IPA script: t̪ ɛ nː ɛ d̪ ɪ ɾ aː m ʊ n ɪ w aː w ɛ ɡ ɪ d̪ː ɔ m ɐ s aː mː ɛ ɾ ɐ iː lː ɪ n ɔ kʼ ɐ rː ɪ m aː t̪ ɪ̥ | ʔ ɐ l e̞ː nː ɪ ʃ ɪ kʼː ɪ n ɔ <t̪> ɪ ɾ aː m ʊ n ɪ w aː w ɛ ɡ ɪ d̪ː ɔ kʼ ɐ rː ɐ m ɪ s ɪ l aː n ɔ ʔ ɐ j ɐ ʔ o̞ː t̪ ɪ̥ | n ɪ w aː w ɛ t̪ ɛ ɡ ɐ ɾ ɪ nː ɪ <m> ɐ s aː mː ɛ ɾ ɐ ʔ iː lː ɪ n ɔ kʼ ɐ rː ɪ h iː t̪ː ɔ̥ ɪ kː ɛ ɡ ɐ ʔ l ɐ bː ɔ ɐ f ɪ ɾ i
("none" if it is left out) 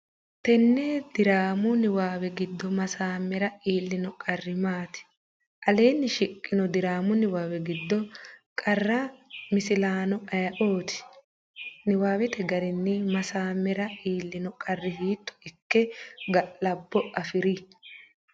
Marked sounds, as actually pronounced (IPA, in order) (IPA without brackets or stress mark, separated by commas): d̪, m